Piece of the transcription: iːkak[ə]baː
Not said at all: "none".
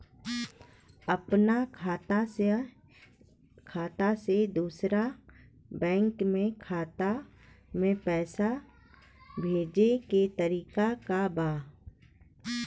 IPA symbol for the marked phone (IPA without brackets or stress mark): a